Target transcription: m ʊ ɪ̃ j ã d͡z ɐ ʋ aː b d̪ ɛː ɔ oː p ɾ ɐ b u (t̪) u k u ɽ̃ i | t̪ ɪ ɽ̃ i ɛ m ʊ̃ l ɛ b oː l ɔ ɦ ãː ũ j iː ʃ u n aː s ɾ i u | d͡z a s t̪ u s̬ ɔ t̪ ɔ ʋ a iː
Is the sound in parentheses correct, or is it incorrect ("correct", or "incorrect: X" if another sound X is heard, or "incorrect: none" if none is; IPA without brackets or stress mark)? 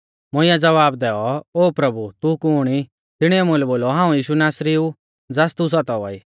correct